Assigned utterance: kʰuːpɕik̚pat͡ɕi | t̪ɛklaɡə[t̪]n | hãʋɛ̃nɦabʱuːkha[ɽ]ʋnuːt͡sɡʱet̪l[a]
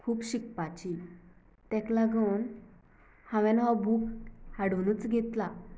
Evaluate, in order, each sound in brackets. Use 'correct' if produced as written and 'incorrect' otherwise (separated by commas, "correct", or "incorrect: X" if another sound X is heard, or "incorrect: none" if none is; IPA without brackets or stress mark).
incorrect: none, correct, correct